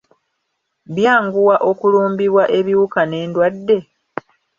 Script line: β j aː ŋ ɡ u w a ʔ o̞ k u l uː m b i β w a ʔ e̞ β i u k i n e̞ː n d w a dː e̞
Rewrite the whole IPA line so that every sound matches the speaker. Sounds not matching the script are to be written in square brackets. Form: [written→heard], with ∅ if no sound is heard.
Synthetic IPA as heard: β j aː ŋ ɡ u w a ʔ o̞ k u l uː m b i β w a ʔ e̞ β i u k [i→a] n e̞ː n d w a dː e̞